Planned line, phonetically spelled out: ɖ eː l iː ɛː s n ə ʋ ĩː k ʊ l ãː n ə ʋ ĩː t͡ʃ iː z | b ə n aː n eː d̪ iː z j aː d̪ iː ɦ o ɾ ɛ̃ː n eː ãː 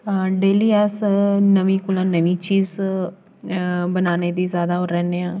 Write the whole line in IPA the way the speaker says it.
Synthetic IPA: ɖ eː l iː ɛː s n ə ʋ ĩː k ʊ l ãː n ə ʋ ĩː t͡ʃ iː z | b ə n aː n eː d̪ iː z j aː d̪ aː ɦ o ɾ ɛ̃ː n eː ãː

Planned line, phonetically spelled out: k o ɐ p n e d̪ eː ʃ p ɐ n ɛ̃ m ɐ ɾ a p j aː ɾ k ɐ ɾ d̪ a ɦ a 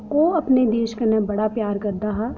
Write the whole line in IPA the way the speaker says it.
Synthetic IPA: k o ɐ p n e d̪ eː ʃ k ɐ n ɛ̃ b ɐ ɽ a p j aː ɾ k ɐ ɾ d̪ a ɦ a

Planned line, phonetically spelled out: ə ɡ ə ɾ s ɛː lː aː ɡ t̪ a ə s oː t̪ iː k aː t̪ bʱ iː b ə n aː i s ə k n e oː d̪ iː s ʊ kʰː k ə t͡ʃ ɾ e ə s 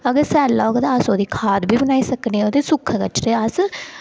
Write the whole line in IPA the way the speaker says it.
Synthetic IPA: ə ɡ ə ɾ s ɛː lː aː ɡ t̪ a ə s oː d̪ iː kʰ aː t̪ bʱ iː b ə n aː i s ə k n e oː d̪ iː s ʊ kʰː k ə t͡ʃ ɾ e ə s

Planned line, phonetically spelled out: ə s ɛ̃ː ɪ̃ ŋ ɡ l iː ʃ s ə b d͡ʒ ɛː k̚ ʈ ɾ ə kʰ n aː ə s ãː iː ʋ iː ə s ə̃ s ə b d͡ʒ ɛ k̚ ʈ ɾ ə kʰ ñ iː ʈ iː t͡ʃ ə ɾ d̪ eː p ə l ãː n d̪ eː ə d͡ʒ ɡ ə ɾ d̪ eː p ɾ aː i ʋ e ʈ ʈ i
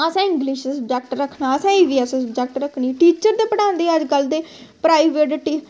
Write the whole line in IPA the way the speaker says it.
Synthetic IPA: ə s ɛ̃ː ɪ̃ ŋ ɡ l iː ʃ s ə b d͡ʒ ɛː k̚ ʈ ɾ ə kʰ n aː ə s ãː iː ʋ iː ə s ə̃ s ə b d͡ʒ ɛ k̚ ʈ ɾ ə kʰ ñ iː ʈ iː t͡ʃ ə ɾ d̪ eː p ə ɽ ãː n d̪ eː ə d͡ʒ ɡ ə l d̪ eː p ɾ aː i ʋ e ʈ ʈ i

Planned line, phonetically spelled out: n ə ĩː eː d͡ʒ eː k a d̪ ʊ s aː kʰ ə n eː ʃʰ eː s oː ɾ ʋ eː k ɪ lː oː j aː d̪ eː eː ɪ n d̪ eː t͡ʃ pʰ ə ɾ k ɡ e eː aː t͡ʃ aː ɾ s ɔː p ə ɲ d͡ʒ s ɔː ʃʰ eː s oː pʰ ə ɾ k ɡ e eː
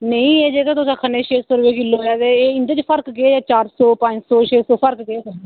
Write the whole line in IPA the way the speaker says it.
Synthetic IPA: n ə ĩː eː d͡ʒ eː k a t̪ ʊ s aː kʰ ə n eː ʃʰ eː s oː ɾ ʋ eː k ɪ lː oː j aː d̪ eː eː ɪ n d̪ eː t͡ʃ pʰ ə ɾ k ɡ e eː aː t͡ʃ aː ɾ s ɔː p ə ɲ d͡ʒ s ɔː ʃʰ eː s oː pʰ ə ɾ k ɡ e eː

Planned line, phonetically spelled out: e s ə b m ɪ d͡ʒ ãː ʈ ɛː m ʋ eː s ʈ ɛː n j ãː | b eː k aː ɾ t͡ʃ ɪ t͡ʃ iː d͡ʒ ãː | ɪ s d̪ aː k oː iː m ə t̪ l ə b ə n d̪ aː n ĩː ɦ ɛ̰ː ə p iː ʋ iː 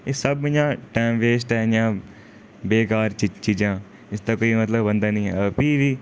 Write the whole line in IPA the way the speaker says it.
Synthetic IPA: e s ə b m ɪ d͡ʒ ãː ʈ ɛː m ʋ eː s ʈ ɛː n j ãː | b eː k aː ɾ t͡ʃ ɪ t͡ʃ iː d͡ʒ ãː | ɪ s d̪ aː k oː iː m ə t̪ l ə b ə n d̪ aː n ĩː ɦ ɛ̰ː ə p iː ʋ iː

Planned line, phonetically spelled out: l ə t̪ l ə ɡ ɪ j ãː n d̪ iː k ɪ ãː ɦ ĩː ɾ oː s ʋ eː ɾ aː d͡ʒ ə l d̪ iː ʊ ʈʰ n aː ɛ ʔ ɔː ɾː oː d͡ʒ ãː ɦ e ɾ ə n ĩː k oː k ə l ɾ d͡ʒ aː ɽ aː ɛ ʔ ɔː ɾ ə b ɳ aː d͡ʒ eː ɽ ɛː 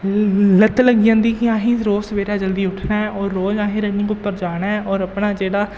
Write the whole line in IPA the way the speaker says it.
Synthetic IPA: l ə t̪ l ə ɡ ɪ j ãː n d̪ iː k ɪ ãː ɦ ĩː ɾ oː s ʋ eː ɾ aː d͡ʒ ə l d̪ iː ʊ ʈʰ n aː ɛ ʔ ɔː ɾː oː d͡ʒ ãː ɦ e ɾ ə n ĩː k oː p ə ɾ d͡ʒ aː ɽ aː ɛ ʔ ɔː ɾ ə p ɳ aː d͡ʒ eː ɽ aː

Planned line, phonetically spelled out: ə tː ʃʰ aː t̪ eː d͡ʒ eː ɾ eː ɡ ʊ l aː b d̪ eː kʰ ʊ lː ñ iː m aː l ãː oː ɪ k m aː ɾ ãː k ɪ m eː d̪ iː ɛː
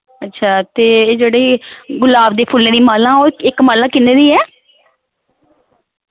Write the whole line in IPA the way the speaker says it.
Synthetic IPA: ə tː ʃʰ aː t̪ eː d͡ʒ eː ɽ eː ɡ ʊ l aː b d̪ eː pʰ ʊ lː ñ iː m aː l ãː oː ɪ k m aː l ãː k ɪ n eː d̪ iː ɛː

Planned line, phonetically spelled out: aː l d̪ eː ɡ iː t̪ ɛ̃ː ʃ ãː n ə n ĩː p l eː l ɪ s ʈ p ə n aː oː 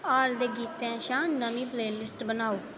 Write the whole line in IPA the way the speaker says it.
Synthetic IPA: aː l d̪ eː ɡ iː t̪ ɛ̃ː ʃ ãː n ə m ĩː p l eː l ɪ s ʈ b ə n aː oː

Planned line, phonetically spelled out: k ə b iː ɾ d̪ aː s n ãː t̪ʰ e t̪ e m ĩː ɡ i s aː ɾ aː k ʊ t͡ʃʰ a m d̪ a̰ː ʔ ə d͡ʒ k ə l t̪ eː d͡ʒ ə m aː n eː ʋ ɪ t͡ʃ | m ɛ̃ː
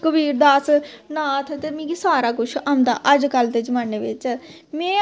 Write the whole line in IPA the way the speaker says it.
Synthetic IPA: k ə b iː ɾ d̪ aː s n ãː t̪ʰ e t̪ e m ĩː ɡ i s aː ɾ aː k ʊ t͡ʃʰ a m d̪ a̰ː ʔ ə d͡ʒ k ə l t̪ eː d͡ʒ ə m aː n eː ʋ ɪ t͡ʃ | m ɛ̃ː

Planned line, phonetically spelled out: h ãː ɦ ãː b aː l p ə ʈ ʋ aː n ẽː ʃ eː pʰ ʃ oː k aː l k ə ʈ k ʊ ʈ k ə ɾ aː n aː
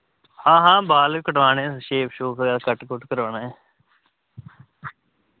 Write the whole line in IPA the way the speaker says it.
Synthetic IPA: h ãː ɦ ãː b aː l k ə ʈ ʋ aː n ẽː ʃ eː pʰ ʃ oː k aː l k ə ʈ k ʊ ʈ k ə ɾ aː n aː

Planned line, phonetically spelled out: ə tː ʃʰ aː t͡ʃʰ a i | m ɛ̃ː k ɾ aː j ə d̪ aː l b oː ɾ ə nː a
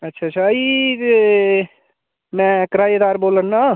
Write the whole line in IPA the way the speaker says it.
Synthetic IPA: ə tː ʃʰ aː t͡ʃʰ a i | m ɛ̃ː k ɾ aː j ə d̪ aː ɾ b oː l ə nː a

